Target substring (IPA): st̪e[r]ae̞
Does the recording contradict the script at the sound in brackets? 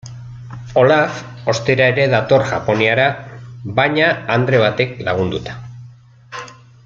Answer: yes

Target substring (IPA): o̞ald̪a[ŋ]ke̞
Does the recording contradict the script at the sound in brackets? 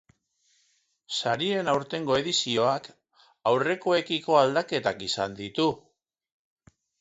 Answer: yes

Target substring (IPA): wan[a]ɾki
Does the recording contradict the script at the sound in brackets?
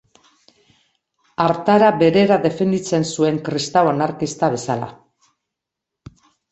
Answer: no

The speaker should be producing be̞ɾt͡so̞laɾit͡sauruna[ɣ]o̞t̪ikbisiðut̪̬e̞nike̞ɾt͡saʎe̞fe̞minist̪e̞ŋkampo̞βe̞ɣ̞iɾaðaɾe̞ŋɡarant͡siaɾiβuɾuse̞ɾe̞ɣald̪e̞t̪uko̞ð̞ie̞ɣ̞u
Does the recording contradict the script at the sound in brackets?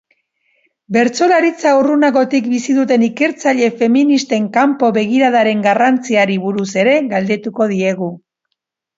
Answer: no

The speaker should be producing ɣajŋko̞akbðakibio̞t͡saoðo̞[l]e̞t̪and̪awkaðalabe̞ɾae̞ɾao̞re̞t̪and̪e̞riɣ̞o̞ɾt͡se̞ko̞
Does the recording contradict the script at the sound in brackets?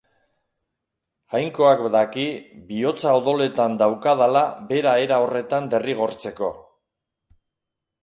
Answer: no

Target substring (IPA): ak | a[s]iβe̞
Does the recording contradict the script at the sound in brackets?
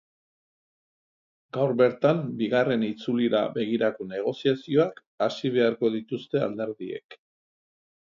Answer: no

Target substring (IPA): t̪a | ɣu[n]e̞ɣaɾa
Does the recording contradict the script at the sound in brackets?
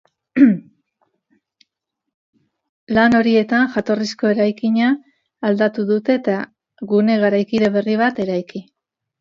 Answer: no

